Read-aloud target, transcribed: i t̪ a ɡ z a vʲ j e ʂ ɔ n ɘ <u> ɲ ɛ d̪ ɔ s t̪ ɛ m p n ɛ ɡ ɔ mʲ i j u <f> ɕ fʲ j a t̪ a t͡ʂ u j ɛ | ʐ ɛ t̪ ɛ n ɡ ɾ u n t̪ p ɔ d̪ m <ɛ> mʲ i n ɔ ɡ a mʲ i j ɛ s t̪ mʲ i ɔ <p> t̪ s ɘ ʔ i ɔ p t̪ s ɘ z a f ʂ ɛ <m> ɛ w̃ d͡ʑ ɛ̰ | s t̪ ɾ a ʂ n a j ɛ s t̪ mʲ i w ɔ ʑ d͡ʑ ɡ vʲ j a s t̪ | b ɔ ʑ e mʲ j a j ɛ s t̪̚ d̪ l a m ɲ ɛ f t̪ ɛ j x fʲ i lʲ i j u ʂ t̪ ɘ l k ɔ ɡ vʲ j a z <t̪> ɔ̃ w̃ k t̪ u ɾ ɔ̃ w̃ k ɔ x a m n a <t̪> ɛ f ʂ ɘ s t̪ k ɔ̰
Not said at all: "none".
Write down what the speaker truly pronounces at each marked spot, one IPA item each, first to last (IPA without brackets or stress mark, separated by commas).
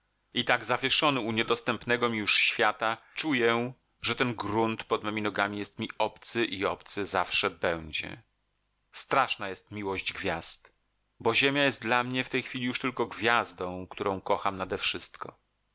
u, ʂ, ɛ, p, b, d̪, d̪